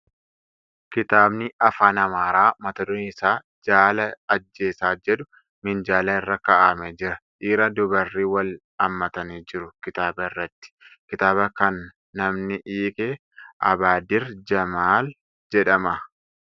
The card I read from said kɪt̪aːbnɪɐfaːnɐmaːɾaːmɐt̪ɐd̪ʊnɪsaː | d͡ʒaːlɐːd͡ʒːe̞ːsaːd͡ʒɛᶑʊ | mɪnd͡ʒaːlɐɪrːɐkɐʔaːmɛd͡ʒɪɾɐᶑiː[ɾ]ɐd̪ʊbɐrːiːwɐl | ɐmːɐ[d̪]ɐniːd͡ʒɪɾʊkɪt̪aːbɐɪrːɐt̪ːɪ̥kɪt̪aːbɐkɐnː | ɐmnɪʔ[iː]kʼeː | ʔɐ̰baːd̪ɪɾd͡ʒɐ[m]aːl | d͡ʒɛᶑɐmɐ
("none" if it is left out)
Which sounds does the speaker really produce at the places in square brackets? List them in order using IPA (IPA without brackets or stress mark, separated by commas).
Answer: ɾ, t̪, iː, m